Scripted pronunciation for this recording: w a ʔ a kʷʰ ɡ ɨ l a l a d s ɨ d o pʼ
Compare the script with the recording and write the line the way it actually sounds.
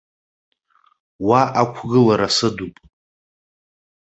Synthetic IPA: w a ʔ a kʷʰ ɡ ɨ l a ɾ a s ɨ d u pʼ